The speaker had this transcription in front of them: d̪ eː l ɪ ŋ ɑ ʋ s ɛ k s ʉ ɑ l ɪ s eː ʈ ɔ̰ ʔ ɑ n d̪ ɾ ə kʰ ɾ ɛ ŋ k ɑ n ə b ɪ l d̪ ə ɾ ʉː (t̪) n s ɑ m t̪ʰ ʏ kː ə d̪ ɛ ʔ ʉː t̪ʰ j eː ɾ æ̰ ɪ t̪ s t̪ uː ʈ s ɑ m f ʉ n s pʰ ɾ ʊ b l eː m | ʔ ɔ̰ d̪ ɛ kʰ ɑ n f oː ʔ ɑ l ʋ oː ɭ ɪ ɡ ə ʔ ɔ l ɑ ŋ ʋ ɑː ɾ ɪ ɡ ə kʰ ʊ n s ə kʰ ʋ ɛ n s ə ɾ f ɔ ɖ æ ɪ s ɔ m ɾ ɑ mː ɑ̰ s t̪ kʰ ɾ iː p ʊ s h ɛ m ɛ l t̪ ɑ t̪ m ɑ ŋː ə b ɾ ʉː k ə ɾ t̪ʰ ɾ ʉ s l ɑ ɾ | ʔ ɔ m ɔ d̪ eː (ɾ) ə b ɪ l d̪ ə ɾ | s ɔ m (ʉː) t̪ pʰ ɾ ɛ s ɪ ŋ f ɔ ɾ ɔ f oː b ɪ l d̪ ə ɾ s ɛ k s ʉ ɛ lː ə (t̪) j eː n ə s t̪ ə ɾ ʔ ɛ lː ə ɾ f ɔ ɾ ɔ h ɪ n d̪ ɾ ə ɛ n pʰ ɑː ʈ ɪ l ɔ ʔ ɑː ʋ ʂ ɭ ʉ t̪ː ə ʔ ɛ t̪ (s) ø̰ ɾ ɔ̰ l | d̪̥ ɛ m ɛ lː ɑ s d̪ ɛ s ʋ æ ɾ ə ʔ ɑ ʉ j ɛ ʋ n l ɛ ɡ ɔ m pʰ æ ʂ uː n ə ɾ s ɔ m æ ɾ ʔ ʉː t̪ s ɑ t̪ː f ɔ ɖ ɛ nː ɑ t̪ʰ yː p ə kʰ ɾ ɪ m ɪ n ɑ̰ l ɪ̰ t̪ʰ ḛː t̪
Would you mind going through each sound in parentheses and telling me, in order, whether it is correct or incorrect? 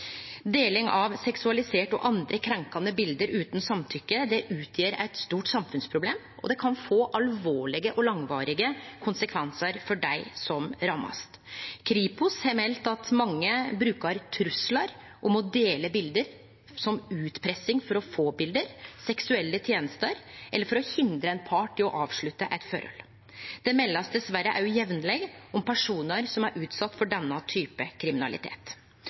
correct, incorrect: l, correct, incorrect: t̪ʰ, incorrect: f

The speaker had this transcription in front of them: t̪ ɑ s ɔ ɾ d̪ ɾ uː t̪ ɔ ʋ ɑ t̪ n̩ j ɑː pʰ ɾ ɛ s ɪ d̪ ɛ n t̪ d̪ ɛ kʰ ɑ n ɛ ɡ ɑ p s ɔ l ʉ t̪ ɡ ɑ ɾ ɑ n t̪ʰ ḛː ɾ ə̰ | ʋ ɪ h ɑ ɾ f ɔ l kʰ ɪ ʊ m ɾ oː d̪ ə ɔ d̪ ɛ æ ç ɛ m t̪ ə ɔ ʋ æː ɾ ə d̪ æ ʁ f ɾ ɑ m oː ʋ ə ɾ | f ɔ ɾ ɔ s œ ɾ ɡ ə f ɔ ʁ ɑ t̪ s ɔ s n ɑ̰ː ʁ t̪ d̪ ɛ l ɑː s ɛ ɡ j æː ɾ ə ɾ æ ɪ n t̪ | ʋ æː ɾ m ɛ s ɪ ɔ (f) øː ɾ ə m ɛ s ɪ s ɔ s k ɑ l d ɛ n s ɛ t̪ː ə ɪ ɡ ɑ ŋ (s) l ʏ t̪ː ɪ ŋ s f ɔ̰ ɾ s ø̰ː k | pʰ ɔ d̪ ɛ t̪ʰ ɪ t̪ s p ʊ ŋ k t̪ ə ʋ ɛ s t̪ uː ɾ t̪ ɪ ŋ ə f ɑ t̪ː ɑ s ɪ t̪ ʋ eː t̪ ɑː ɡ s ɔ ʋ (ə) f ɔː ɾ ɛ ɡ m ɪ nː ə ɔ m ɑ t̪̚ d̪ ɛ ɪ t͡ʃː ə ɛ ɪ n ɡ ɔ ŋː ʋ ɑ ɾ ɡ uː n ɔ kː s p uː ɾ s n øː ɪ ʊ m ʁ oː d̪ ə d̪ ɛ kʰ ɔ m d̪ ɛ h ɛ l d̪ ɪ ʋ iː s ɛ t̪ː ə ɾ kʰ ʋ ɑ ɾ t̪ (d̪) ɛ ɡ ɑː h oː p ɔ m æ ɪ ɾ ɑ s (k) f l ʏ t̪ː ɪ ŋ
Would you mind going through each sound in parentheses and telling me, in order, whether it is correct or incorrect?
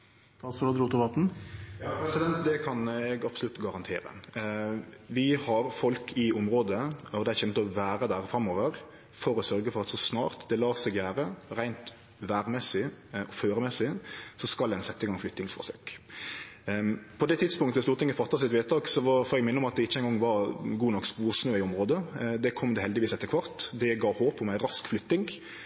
correct, incorrect: f, incorrect: ɑ, correct, correct

